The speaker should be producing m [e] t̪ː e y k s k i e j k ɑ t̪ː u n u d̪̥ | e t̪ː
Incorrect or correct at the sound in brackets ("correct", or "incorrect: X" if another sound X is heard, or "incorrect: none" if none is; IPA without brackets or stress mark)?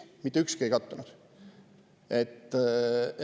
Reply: incorrect: i